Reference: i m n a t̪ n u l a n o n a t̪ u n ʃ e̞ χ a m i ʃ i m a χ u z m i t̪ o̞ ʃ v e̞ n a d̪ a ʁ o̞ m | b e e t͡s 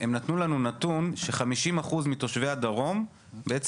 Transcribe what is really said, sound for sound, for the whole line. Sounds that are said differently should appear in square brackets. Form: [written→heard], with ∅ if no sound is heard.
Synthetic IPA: [i→e] m n a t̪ n u l a n [o→u] n a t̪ u n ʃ e̞ χ a m i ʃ i m a χ u z m i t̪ o̞ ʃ v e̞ [n→∅] a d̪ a ʁ o̞ m | b e e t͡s